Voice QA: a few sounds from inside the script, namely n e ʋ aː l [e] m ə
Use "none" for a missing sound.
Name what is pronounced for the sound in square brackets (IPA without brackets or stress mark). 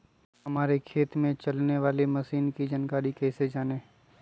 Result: e